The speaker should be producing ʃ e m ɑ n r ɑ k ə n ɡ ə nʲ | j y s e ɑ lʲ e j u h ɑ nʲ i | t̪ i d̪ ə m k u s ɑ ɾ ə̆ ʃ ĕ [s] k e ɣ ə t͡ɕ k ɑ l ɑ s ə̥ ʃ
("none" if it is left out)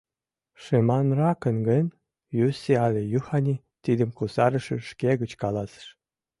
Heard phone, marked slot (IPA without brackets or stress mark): ʃ